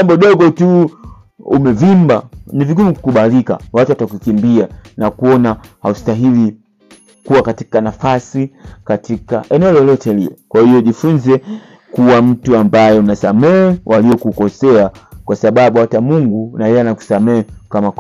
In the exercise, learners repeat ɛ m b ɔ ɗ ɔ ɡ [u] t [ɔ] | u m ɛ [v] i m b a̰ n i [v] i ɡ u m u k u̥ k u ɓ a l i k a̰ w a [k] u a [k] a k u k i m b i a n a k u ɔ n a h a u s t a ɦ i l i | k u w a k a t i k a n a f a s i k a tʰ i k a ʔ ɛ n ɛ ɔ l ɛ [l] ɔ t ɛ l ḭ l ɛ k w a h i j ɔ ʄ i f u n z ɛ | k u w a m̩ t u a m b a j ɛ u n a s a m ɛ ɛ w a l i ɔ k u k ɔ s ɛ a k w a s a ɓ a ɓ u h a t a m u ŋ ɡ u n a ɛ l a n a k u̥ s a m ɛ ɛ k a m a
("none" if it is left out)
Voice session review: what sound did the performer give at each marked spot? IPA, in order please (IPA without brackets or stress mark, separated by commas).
ɔ, u, v, v, t, t, l